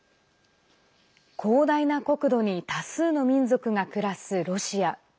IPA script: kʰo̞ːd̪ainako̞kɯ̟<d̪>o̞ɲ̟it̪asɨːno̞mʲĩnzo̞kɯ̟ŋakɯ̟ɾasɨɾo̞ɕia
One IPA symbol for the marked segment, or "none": d̪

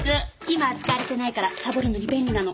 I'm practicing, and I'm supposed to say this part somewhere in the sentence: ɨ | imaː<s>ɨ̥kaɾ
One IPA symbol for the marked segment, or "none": t͡s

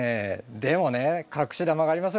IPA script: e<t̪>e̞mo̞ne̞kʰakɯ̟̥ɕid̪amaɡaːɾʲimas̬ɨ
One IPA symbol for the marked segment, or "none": d̪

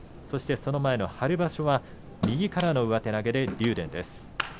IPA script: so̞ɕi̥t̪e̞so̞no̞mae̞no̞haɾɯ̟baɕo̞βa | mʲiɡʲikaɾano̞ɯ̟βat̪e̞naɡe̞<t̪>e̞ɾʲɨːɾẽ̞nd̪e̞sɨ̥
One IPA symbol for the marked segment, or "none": d̪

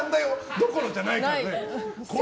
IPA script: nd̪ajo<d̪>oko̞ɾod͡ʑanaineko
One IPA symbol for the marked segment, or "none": d̪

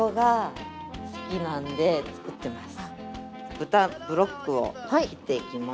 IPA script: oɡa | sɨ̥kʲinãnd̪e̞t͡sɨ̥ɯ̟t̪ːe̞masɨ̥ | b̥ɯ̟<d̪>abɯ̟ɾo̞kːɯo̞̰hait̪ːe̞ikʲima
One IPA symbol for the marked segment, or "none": t̪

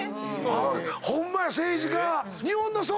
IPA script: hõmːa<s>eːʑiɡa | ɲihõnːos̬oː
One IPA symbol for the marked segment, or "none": s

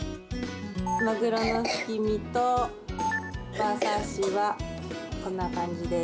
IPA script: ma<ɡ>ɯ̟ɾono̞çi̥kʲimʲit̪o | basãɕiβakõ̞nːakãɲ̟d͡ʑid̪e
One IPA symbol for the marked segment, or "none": ɡ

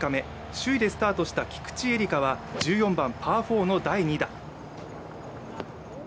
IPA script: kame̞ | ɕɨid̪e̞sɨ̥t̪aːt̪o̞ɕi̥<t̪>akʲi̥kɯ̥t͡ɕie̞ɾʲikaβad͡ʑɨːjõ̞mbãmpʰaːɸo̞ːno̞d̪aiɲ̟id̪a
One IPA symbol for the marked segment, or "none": t̪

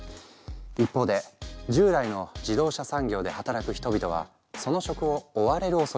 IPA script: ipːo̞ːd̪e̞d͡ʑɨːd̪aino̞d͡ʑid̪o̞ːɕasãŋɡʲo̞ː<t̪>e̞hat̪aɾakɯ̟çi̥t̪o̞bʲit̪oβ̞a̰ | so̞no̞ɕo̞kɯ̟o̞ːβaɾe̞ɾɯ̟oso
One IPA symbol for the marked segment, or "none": d̪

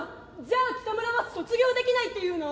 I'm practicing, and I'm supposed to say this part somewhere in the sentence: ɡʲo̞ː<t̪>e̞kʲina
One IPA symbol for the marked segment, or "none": d̪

